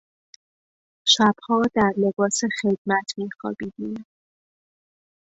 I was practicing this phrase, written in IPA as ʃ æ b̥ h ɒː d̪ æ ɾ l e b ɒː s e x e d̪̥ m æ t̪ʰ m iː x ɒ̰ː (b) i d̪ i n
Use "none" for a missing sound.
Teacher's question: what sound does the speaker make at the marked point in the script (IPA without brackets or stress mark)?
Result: b